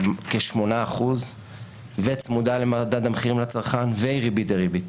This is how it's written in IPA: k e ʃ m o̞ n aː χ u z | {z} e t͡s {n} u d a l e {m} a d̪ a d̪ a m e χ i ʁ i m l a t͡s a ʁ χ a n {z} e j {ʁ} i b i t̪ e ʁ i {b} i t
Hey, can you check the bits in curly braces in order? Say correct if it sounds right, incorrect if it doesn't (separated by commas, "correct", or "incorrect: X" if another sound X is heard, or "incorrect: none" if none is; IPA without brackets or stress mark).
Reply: incorrect: v, incorrect: m, correct, incorrect: v, correct, correct